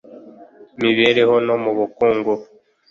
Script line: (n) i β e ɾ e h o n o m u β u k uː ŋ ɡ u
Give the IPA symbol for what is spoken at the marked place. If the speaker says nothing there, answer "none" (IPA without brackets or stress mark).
m